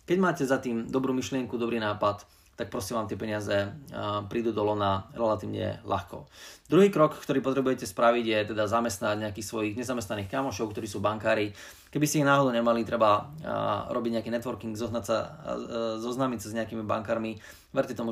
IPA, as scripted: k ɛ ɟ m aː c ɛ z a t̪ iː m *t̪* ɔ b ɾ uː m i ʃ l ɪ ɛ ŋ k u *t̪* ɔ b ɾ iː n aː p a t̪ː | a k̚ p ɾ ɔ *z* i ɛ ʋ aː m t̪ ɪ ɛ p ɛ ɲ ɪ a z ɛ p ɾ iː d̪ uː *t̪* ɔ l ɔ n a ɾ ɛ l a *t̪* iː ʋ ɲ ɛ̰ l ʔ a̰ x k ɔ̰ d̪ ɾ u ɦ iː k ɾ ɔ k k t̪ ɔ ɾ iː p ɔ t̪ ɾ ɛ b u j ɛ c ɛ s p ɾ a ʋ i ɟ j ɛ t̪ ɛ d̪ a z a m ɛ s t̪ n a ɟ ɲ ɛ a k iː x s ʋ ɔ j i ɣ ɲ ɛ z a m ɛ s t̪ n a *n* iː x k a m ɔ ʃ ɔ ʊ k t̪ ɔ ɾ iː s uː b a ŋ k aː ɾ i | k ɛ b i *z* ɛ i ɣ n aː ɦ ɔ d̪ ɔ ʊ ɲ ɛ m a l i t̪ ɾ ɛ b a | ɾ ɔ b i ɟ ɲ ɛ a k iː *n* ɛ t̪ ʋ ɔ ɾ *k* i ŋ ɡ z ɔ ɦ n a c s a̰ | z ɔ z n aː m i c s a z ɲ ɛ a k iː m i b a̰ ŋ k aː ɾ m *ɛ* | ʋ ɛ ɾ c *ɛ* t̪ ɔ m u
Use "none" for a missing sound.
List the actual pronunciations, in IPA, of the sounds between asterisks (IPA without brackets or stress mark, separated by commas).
d̪, d̪, s, d̪, t̪, n, s, n, k, i, ɛ